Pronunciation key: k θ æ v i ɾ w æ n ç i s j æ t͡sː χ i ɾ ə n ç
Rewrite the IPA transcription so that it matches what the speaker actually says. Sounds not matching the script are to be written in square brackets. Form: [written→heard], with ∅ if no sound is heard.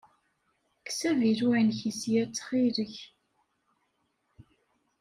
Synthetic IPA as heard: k [θ→s] æ v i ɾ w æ n ç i s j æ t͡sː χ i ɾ ə [n→∅] ç